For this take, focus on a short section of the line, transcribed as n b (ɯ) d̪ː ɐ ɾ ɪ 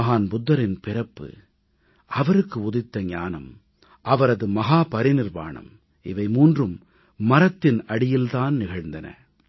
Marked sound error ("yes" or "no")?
yes